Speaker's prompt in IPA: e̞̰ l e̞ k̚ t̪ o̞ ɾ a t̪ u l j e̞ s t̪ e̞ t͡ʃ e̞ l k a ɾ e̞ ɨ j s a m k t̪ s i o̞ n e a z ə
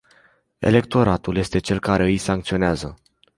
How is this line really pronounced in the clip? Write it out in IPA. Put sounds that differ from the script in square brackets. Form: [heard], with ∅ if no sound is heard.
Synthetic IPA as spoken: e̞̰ l e̞ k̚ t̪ o̞ ɾ a t̪ u l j e̞ s t̪ e̞ t͡ʃ e̞ l k a ɾ e̞ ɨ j s a [ŋ] k t̪ s i o̞ n e a z ə